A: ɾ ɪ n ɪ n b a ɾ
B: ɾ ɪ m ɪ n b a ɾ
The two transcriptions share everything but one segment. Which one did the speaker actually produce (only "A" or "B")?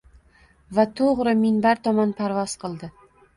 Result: B